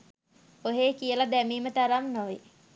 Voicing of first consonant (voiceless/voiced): voiced